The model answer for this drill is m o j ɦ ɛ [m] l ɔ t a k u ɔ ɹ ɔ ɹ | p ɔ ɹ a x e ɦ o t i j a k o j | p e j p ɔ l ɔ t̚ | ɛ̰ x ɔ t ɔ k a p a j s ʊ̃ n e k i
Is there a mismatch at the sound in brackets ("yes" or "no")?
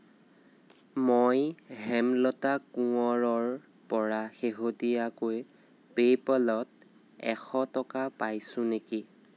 no